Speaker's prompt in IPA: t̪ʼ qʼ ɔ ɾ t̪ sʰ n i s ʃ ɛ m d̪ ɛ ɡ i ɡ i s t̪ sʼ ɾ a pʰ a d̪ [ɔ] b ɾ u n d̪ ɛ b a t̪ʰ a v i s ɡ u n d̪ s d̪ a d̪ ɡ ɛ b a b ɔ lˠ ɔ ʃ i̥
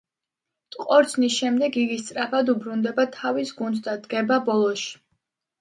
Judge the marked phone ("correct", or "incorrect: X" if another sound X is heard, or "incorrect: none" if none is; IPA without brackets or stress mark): incorrect: u